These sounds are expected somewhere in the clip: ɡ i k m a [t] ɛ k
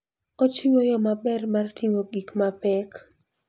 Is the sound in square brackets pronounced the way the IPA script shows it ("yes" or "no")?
no